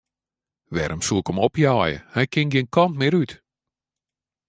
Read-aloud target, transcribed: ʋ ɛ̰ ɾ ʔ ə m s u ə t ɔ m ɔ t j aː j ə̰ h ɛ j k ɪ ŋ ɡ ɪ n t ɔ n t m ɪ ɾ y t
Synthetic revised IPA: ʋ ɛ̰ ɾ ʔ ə m s u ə k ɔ m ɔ p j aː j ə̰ h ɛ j k ɪ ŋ ɡ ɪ n k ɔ n t m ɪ ɾ y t